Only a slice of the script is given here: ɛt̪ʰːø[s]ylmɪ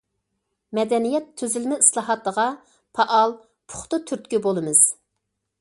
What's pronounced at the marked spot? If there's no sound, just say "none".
z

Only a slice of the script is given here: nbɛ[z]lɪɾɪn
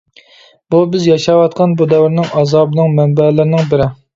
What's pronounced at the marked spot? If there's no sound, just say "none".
none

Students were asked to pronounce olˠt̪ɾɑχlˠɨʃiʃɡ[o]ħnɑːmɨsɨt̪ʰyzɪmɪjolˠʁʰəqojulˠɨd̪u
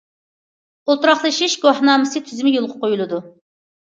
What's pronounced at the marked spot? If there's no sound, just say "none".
o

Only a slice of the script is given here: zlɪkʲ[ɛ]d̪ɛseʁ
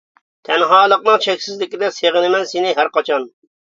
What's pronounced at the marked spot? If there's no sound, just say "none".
i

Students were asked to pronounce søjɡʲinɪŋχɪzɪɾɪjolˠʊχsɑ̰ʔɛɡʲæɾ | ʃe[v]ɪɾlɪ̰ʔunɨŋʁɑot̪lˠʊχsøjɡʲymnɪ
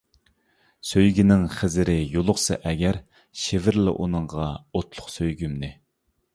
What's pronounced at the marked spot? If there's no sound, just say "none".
v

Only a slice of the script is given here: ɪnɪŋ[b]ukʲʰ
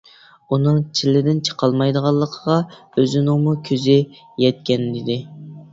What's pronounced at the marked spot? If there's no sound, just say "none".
m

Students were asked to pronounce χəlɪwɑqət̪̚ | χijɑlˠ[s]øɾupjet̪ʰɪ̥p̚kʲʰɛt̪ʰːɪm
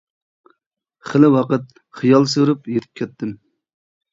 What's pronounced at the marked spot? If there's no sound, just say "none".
s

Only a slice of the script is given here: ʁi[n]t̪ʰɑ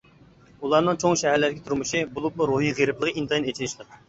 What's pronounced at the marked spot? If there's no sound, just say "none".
n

